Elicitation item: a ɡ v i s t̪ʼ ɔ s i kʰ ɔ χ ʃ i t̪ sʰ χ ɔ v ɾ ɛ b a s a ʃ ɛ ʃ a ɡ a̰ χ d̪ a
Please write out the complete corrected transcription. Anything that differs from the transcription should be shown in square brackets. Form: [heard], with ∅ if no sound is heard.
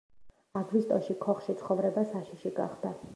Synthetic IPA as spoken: a ɡ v i s t̪ʼ ɔ [ʃ] i kʰ ɔ χ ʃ i t̪ sʰ χ ɔ v ɾ ɛ b a s a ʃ [i] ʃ [i] ɡ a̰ χ d̪ a